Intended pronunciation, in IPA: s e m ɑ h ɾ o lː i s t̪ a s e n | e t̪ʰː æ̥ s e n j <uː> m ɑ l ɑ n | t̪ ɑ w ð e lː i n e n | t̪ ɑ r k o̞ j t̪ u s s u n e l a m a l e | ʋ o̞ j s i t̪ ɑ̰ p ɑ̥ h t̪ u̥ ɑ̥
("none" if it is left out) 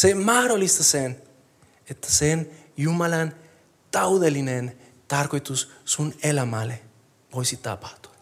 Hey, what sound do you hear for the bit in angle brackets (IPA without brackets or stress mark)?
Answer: u